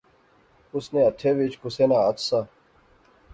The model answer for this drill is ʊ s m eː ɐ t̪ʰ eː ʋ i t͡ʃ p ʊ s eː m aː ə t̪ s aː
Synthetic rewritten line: ʊ s n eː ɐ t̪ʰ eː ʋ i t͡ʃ k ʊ s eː n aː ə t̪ s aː